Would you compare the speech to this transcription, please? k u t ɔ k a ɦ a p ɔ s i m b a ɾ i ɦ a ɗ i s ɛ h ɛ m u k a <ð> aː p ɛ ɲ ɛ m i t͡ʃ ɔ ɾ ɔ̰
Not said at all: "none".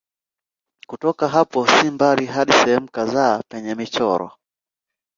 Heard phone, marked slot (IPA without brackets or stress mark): z